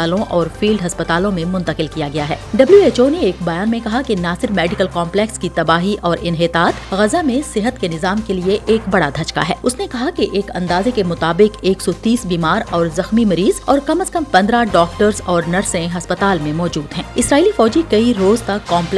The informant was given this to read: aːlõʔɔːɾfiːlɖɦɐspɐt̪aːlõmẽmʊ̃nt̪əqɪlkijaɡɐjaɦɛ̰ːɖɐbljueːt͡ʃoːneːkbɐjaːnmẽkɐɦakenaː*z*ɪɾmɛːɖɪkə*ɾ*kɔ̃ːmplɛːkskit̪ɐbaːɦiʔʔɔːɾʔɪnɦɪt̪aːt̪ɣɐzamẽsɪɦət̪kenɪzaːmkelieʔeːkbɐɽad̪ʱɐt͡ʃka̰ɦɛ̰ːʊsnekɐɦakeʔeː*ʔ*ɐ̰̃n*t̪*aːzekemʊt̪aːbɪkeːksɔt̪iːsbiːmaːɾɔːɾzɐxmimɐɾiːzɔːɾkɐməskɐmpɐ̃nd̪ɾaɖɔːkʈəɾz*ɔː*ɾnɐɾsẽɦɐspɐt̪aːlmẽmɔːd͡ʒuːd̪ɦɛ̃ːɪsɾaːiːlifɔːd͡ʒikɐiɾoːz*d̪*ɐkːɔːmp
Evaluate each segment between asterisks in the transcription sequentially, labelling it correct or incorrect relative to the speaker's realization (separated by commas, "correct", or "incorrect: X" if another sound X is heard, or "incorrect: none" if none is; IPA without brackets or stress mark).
incorrect: s, incorrect: l, incorrect: k, incorrect: d̪, correct, incorrect: t̪